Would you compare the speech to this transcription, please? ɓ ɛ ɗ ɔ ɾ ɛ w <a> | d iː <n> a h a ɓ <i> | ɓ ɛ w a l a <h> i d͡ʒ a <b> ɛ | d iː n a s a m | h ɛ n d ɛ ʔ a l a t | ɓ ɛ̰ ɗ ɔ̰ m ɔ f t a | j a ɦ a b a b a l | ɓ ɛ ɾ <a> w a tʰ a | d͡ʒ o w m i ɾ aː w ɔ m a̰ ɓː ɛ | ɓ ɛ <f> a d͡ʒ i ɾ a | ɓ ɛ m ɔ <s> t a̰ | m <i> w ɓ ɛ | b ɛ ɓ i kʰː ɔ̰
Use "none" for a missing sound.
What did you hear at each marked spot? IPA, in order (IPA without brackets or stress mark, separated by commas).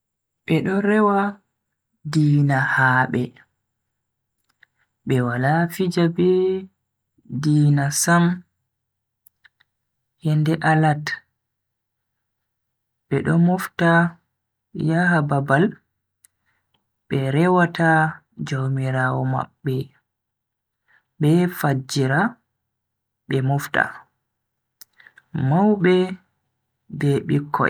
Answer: a, n, ɛ, f, b, ɛ, f, f, a